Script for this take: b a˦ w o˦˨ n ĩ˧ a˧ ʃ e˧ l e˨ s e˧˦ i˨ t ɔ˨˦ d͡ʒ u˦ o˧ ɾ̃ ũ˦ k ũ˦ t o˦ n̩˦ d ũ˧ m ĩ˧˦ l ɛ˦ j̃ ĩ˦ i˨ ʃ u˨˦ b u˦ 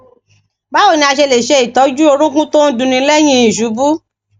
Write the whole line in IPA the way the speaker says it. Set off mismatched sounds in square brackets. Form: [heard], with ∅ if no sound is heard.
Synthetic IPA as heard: b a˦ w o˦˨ n ĩ˧ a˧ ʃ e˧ l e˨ [ʃ] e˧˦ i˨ t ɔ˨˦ d͡ʒ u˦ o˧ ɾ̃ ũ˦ k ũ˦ t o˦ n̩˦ d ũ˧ [n] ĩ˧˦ l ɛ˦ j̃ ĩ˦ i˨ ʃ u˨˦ b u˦